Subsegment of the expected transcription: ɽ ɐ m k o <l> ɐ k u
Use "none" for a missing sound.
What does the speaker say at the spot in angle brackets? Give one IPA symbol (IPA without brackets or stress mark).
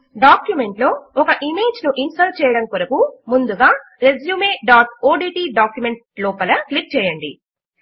ɾ